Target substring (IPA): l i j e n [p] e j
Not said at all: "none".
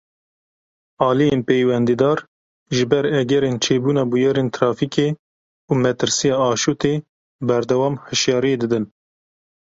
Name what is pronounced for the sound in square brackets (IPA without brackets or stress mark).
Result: p